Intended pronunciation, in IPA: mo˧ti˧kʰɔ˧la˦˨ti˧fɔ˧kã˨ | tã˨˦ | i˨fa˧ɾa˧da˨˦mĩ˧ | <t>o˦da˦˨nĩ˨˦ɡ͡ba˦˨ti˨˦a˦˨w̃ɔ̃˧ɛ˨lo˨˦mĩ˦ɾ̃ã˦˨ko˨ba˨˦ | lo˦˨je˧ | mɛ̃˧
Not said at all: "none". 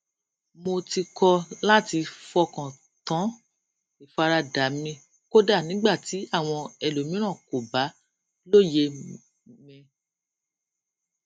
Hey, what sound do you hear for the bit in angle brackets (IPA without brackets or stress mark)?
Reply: k